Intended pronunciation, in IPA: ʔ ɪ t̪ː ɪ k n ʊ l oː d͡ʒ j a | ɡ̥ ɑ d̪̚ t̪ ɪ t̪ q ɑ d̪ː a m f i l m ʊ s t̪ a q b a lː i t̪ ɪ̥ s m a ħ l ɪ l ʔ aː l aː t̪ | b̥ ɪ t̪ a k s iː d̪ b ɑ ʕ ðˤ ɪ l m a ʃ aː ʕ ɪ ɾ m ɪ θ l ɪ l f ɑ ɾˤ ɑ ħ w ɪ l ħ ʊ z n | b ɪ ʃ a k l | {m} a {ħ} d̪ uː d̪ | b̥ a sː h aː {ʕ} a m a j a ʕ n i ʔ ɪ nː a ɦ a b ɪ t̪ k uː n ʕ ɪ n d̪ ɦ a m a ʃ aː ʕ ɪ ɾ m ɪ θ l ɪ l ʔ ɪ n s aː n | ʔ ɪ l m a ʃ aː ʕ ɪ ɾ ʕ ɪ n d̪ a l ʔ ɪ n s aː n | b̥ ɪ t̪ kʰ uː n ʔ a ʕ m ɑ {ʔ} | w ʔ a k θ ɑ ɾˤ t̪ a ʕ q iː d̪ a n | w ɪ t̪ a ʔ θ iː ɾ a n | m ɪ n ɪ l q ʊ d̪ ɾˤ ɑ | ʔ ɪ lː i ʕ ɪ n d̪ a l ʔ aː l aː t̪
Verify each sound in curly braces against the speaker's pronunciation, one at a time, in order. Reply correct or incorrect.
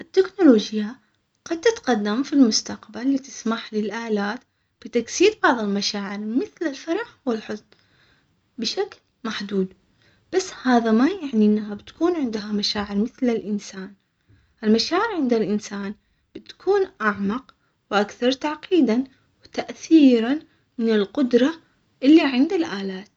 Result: correct, correct, incorrect: ð, incorrect: q

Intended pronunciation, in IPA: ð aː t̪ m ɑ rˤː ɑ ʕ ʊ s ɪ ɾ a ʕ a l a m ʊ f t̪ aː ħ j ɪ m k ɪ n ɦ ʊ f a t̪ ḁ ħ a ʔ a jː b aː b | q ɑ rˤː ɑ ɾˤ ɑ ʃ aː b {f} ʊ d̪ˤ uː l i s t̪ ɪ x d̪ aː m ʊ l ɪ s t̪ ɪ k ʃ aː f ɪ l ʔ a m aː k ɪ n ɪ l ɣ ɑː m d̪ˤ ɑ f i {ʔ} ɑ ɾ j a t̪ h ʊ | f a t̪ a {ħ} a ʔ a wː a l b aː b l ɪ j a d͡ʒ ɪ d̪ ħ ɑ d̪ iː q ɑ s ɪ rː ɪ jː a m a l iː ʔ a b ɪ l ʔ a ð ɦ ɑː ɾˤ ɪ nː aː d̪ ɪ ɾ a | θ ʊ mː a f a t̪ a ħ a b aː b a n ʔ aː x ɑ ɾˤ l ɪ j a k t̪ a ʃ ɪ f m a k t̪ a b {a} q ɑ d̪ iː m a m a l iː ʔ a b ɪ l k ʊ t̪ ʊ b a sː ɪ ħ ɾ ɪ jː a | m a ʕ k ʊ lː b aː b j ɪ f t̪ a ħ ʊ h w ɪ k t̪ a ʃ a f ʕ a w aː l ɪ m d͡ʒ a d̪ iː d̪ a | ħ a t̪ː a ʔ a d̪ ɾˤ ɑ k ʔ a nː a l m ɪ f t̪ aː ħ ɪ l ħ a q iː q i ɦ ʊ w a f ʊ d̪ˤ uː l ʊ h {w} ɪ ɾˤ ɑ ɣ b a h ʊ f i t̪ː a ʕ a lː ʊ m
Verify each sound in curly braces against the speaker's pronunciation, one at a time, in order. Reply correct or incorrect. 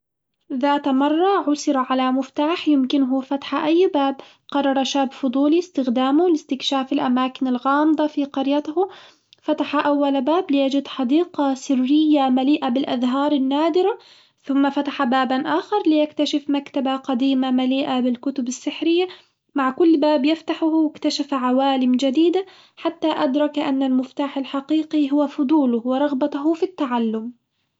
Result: correct, incorrect: q, correct, correct, correct

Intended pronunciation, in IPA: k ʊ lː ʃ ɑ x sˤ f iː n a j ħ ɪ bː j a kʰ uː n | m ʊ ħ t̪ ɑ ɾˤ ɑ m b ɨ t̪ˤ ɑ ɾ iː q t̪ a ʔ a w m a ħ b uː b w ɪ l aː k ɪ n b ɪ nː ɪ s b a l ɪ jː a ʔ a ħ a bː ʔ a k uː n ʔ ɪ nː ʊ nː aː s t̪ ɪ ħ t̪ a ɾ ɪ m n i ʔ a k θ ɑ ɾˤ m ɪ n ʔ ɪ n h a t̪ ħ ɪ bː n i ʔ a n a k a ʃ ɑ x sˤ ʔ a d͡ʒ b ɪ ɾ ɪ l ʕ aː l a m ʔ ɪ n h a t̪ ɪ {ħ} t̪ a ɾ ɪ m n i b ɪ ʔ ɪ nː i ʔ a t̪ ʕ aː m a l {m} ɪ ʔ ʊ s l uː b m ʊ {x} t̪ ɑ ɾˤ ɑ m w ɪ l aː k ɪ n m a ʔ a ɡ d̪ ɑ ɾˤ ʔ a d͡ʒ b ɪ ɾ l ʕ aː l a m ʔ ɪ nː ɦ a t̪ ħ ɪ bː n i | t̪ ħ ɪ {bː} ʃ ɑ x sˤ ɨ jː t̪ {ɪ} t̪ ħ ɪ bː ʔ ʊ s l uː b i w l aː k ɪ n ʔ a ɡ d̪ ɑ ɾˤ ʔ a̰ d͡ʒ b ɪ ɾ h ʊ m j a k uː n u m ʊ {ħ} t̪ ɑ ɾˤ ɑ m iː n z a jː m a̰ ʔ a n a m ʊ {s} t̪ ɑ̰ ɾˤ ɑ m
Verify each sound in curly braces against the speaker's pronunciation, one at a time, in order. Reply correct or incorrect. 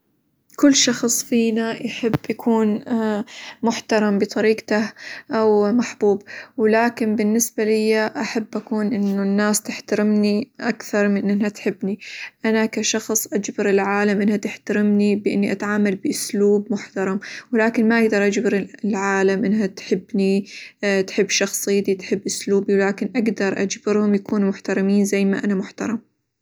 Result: correct, incorrect: b, incorrect: ħ, correct, incorrect: i, correct, incorrect: ħ

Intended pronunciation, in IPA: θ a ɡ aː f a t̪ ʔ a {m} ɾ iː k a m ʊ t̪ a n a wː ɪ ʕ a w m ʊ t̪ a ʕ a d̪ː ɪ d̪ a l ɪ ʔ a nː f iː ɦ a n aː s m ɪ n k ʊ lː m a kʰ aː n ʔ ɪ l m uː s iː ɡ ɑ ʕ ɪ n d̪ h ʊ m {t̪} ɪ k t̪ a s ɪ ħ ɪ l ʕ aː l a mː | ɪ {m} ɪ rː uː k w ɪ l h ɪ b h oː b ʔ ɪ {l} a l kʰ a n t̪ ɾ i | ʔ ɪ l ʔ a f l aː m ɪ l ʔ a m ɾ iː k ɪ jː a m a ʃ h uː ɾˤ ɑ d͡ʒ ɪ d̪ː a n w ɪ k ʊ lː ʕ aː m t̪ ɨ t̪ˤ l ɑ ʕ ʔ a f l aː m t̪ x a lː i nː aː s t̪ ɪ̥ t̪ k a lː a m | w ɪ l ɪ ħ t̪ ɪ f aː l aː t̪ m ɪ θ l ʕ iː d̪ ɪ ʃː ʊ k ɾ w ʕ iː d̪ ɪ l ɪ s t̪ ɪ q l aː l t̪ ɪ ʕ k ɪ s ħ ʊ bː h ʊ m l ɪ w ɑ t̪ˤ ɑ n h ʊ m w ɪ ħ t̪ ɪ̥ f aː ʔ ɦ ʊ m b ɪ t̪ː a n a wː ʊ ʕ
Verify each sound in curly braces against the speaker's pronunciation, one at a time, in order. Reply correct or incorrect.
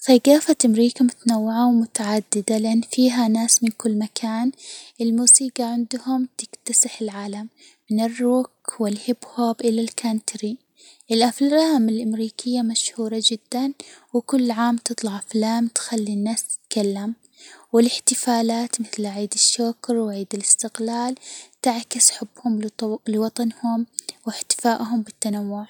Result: correct, correct, incorrect: n, correct

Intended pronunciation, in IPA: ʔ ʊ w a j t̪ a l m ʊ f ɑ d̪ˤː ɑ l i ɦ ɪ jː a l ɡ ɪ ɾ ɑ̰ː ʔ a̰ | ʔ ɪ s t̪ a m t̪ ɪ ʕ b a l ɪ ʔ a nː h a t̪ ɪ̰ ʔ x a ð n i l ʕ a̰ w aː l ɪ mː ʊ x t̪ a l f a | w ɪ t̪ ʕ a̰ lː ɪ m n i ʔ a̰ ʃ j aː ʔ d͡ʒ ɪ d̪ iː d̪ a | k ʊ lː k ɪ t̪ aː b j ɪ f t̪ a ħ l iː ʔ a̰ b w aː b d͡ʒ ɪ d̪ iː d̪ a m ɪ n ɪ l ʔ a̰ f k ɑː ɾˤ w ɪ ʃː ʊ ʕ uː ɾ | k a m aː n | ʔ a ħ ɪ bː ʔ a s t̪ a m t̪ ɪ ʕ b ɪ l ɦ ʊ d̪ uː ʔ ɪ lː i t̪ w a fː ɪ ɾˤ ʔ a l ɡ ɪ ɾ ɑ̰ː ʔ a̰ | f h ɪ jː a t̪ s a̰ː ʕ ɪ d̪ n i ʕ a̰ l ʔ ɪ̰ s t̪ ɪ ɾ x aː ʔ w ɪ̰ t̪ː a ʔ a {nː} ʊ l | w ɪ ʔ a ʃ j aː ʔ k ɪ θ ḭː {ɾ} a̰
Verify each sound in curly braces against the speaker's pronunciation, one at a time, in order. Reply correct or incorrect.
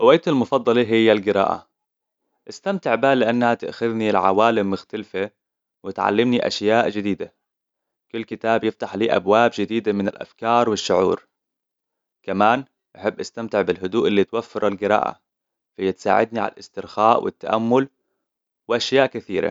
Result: incorrect: mː, correct

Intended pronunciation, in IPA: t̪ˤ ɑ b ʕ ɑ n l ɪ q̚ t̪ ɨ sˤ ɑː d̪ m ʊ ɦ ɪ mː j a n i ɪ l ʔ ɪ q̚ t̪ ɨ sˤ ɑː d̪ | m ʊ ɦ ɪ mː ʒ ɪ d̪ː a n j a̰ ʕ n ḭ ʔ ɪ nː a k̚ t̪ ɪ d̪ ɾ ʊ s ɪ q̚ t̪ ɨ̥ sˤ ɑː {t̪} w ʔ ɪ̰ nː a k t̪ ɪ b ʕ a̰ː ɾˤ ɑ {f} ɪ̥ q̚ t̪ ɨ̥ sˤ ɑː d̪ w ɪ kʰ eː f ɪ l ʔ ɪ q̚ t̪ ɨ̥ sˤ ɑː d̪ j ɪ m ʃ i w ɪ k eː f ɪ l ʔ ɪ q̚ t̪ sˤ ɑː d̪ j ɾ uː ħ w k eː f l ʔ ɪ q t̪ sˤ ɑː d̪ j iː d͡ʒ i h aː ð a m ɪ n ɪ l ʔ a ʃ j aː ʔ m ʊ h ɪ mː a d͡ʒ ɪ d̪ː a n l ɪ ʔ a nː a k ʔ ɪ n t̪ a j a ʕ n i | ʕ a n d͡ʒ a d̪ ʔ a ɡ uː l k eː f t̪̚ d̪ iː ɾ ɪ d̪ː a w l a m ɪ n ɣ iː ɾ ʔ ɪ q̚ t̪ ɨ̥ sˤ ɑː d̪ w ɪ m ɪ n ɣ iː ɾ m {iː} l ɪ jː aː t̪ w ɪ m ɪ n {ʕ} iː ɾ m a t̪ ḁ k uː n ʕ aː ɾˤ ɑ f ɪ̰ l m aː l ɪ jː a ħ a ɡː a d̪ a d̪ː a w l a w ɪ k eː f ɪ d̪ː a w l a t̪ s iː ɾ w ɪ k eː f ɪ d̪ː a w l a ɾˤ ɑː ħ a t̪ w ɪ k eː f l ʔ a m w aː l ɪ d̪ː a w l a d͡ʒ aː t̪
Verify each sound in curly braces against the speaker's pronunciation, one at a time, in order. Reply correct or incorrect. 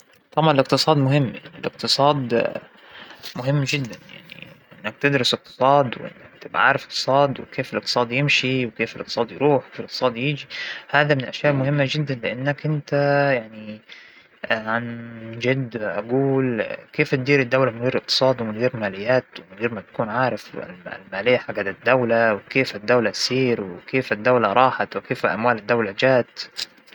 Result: incorrect: d̪, correct, incorrect: aː, incorrect: ɣ

